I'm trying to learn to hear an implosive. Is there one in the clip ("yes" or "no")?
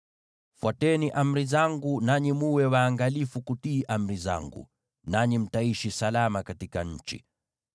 no